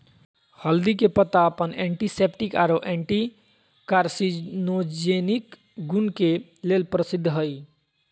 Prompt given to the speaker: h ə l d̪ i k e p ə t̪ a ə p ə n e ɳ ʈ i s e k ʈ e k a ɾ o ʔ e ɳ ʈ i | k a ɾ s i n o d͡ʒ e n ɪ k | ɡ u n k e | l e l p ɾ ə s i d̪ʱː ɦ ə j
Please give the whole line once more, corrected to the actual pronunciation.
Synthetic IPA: h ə l d̪ i k e p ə t̪ a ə p ə n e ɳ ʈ i s e p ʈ i k a ɾ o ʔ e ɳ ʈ i | k a ɾ s i n o d͡ʒ e n i k | ɡ u n k e | l e l p ɾ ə s i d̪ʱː ɦ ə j